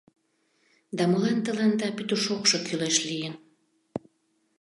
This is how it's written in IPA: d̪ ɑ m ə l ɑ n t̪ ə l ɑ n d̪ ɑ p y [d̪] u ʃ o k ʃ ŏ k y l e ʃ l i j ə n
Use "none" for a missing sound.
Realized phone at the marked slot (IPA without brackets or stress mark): t̪